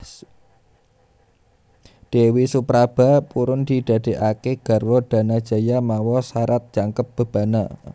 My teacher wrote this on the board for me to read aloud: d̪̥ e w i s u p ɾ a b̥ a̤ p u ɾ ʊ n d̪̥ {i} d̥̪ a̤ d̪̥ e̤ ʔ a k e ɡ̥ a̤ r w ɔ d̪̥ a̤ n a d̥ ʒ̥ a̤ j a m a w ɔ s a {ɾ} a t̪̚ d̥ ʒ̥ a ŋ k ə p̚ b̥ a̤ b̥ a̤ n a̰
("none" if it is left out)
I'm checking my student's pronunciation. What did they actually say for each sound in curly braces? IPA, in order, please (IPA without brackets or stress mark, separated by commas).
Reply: i, ɾ